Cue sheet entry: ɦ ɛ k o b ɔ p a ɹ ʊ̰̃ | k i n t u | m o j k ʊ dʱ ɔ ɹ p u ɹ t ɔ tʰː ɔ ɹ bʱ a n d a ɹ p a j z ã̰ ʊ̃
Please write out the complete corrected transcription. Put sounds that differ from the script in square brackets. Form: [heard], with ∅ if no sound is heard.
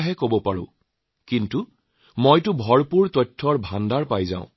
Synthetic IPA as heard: ɦ ɛ k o b ɔ p a ɹ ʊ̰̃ | k i n t u | m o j [t] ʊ [bʱ] ɔ ɹ p u ɹ t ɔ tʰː ɔ ɹ bʱ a n d a ɹ p a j z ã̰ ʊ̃